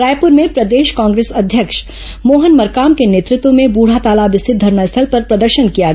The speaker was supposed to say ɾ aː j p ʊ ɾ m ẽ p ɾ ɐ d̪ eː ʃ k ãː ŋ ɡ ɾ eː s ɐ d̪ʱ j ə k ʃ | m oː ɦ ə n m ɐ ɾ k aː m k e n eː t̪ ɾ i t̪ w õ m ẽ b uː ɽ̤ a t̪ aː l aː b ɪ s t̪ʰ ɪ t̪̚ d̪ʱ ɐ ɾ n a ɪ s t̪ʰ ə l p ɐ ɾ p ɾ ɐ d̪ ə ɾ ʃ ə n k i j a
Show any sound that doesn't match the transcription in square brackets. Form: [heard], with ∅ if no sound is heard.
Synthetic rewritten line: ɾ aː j p ʊ ɾ m ẽ p ɾ ɐ d̪ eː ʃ k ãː ŋ ɡ ɾ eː s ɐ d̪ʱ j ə k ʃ | m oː ɦ ə n m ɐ ɾ k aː m k e n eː t̪ ɾ [ɪ] t̪ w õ m ẽ b uː ɽ̤ a t̪ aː l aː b ɪ s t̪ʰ ɪ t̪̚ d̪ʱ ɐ ɾ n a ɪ s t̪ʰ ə l p ɐ ɾ p ɾ ɐ d̪ ə ɾ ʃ ə n k i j a